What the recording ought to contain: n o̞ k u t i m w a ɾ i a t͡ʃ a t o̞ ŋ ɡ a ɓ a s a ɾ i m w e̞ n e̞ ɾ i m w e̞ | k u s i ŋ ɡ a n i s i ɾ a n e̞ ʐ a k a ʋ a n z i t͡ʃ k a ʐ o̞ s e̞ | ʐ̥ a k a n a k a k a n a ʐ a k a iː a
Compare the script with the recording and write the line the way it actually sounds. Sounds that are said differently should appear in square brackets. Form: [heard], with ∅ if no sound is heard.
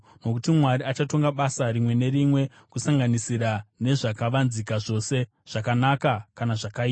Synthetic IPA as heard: n o̞ k u t i m w a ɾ i a t͡ʃ a t o̞ ŋ ɡ a ɓ a s a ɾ i m w e̞ n e̞ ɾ i m w e̞ | k u s [a] ŋ ɡ a n i s i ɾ a n e̞ ʐ a k a ʋ a n z i [∅] k a ʐ o̞ s e̞ | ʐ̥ a k a n a k a k a n a ʐ a k a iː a